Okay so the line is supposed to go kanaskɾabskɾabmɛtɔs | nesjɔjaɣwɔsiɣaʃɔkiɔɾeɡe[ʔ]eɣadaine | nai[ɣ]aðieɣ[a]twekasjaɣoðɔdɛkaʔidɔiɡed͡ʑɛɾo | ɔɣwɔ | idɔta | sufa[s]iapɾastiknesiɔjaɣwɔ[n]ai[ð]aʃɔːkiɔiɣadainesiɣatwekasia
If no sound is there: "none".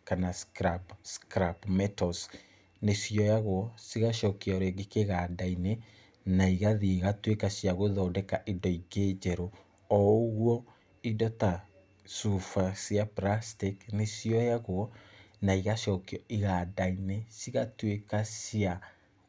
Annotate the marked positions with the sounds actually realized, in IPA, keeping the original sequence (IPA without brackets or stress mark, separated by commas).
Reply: k, ɣ, a, s, n, ɣ